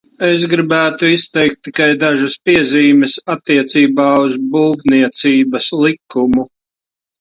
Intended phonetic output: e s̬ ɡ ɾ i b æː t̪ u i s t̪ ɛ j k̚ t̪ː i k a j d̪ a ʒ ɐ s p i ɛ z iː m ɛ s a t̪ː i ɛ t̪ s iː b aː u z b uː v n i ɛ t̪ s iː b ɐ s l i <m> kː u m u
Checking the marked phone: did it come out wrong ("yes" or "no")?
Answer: yes